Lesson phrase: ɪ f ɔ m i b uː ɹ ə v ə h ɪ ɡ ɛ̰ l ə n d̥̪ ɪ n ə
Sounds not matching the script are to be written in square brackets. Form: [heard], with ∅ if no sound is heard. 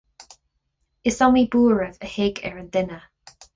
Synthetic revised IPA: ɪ [s] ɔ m i b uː ɹ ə v ə h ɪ ɡ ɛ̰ [ɹ] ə n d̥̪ ɪ n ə